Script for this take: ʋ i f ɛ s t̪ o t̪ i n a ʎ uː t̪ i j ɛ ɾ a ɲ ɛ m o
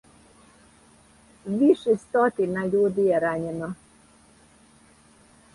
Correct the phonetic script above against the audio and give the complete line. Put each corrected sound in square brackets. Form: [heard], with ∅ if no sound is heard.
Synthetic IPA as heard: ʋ i [ʃ] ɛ s t̪ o t̪ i n a ʎ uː [d̪] i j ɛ ɾ a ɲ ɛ [n] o